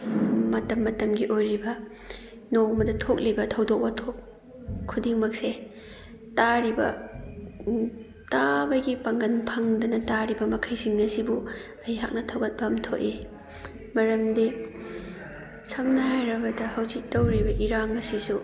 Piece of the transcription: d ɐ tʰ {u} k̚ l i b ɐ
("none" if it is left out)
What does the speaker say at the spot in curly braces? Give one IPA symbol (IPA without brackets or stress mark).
o